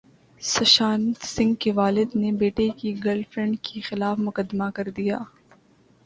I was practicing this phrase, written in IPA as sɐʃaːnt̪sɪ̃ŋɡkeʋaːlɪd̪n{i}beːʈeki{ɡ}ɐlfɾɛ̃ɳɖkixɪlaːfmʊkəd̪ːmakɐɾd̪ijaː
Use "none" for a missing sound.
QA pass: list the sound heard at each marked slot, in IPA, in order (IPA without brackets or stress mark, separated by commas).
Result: e, ɡ